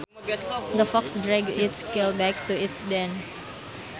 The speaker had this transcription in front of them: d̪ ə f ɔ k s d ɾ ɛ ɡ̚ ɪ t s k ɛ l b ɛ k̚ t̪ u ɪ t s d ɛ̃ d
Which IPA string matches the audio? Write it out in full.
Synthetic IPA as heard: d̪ ə f ɔ k s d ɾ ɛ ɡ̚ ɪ t s k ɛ l b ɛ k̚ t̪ u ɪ t s d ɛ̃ n